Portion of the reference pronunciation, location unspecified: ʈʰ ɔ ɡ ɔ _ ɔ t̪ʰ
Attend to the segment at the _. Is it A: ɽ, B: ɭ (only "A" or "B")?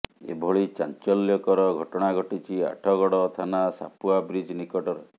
A